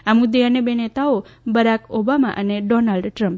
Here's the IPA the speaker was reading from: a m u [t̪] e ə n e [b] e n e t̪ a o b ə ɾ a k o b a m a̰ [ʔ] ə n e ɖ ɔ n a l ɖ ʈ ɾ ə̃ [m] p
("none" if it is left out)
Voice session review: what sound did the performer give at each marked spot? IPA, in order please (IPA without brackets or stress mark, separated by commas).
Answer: d̪, b, ʔ, m